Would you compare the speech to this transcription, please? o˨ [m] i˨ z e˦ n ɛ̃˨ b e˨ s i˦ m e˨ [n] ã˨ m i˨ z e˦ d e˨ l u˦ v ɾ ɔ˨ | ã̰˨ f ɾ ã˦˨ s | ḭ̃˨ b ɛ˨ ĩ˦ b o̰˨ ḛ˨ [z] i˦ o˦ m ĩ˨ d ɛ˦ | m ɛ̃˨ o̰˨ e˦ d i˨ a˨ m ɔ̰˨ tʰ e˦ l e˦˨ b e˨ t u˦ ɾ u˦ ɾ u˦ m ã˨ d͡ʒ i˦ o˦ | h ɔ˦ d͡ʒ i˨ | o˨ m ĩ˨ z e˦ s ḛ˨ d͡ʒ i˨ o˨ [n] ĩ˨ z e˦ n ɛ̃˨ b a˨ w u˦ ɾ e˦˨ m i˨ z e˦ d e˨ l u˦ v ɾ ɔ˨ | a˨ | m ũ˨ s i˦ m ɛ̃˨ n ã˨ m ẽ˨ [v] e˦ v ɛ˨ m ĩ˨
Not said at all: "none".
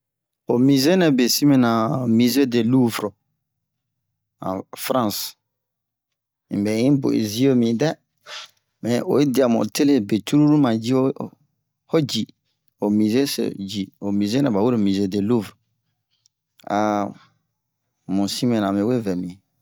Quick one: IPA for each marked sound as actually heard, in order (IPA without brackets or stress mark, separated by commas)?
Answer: m, n, z, m, w